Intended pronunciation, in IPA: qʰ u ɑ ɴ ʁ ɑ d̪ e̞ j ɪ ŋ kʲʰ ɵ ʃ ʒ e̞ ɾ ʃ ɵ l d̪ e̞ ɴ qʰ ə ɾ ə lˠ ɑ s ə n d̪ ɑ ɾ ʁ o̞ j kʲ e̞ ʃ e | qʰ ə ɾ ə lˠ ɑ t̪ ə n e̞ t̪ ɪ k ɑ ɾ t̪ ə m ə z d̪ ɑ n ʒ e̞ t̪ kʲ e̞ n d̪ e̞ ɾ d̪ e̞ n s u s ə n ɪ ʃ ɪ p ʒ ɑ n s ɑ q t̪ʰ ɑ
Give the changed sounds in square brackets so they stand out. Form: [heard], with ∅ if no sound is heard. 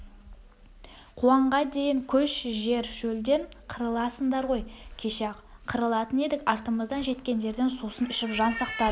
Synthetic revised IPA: qʰ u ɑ ɴ ʁ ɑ d̪ e̞ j ɪ ŋ kʲʰ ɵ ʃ ʒ e̞ ɾ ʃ ɵ l d̪ e̞ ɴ qʰ ə ɾ ə lˠ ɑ s ə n d̪ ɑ ɾ ʁ o̞ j [kʲʰ] e̞ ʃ e | qʰ ə ɾ ə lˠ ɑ t̪ ə n e̞ [d̪] ɪ k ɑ ɾ t̪ ə m ə z d̪ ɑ n ʒ e̞ t̪ kʲ e̞ n d̪ e̞ ɾ d̪ e̞ n s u s ə n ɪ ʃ ɪ p ʒ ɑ n s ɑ q [t̪] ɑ